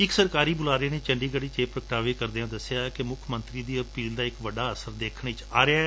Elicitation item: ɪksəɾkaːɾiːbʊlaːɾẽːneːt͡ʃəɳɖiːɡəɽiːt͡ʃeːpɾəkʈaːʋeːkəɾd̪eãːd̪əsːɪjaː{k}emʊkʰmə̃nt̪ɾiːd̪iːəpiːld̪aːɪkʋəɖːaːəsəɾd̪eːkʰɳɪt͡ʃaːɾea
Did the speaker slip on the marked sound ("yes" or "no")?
no